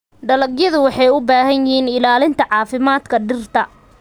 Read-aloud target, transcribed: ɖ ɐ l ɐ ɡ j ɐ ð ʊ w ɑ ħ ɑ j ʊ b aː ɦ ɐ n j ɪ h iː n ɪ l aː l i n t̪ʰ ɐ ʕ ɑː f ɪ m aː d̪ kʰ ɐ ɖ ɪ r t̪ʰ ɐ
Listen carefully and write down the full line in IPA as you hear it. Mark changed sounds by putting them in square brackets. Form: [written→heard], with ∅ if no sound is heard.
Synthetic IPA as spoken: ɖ ɐ l ɐ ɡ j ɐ ð ʊ w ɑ ħ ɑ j ʊ b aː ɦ ɐ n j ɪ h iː n ɪ l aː l [i→ɪ] n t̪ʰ ɐ ʕ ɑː f ɪ m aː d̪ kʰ ɐ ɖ ɪ r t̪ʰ ɐ